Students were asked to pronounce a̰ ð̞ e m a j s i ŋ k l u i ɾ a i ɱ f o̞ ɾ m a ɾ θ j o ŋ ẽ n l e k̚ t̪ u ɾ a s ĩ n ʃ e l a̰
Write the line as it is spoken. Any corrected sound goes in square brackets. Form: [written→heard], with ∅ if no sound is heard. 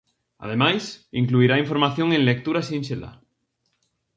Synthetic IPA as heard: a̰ ð̞ e m a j s i ŋ k l u i ɾ a i ɱ f o̞ ɾ m a [ɾ→∅] θ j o ŋ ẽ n l e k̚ t̪ u ɾ a s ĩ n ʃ e l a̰

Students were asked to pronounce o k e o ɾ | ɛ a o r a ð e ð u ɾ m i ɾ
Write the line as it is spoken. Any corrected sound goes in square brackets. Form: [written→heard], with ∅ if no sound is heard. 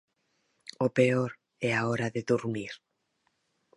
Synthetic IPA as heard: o [k→p] e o ɾ | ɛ a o [r→ɾ] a ð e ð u ɾ m i ɾ

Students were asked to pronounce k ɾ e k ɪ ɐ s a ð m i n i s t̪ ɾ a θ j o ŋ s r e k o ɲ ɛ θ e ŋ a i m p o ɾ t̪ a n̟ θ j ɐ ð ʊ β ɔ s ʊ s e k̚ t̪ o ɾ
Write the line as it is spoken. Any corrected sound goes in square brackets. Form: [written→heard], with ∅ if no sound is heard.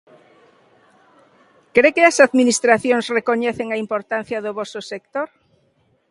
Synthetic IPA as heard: k ɾ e k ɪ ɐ s a ð m i n i s t̪ ɾ a θ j o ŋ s r e k o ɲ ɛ θ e ŋ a i m p o ɾ t̪ a n̟ θ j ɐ ð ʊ β ɔ s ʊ s e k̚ t̪ o ɾ

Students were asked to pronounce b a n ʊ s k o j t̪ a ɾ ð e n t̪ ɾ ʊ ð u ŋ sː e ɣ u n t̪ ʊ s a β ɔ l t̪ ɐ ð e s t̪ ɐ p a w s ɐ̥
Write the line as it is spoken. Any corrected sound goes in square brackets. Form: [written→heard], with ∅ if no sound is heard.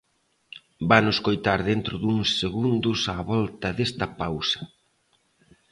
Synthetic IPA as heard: b a n ʊ s k o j t̪ a ɾ ð e n t̪ ɾ ʊ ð u ŋ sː e ɣ u n [t̪→d̪] ʊ s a β ɔ l t̪ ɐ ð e s t̪ ɐ p a w s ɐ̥

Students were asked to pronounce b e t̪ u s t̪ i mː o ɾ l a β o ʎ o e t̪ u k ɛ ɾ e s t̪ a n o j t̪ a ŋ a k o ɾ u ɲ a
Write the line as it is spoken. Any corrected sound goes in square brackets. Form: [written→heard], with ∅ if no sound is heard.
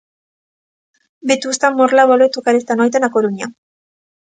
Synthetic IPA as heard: b e t̪ u s t̪ [i→a] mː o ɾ l a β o [ʎ→l] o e t̪ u k [ɛ→a] ɾ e s t̪ a n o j t̪ a [ŋ→n] a k o ɾ u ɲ a

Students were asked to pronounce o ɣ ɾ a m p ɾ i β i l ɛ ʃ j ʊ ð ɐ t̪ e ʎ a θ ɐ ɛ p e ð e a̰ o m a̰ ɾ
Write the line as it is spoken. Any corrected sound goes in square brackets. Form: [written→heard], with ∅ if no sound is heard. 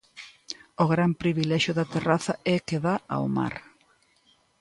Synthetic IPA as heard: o ɣ ɾ a m p ɾ i β i l ɛ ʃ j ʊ ð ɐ t̪ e [ʎ→r] a θ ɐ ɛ [p→k] e ð [e→a] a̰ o m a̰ ɾ

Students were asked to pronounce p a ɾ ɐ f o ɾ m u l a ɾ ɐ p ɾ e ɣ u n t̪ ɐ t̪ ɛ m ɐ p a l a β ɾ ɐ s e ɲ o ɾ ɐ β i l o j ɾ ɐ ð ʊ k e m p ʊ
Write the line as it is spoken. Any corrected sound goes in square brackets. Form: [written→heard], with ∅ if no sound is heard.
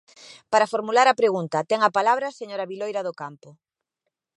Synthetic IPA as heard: p a ɾ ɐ f o ɾ m u l a ɾ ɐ p ɾ e ɣ u n t̪ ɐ t̪ ɛ [m→ŋ] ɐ p a l a β ɾ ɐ s e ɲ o ɾ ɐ β i l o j ɾ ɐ ð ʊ k [e→a] m p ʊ

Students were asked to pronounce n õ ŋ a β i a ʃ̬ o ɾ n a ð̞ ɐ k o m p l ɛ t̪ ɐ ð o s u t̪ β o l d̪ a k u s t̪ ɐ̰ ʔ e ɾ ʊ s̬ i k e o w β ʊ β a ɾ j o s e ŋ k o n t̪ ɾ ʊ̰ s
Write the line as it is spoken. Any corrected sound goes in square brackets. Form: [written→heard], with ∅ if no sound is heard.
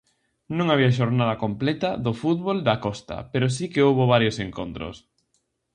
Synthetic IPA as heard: n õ ŋ a β i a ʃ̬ o ɾ n a ð̞ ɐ k o m p l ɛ t̪ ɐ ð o [s→f] u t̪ β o l d̪ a k [u→ɔ] s t̪ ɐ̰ [ʔ→p] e ɾ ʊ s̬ i k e o w β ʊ β a ɾ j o s e ŋ k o n t̪ ɾ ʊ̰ s

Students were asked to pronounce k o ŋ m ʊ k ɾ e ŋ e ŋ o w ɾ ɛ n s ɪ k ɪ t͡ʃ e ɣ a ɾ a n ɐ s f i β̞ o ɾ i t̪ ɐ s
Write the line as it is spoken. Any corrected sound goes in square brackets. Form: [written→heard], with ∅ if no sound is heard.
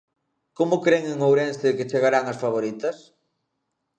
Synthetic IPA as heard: k o [ŋ→∅] m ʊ k ɾ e ŋ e ŋ o w ɾ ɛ n s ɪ k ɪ t͡ʃ e ɣ a ɾ a [n→ŋ] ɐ s f [i→a] β̞ o ɾ i t̪ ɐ s

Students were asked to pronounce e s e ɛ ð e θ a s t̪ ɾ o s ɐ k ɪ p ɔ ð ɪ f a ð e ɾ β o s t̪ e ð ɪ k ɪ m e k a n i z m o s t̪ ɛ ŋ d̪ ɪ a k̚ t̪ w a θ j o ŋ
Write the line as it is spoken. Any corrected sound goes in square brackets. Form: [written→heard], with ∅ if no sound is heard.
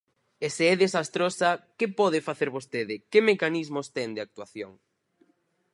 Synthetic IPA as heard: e s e ɛ ð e [θ→s] a s t̪ ɾ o s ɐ k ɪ p ɔ ð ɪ f a [ð→θ] e ɾ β o s t̪ e ð ɪ k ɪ m e k a n i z m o s t̪ ɛ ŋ d̪ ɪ a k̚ t̪ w a θ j o ŋ

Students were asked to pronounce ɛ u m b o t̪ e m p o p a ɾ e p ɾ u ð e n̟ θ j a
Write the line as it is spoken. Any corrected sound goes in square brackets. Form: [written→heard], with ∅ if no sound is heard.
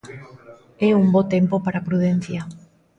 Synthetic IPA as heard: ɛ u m b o t̪ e m p o p a ɾ [e→a] p ɾ u ð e n̟ θ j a

